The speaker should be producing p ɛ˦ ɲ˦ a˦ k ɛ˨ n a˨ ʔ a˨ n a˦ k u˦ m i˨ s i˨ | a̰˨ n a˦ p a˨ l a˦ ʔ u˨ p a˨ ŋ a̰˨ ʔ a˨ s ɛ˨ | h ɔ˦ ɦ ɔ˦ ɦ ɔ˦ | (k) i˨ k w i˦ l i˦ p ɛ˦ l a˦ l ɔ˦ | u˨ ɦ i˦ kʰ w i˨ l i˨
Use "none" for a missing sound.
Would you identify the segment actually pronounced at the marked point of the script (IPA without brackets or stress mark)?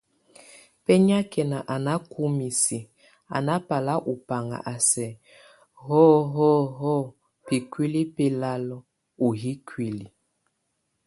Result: p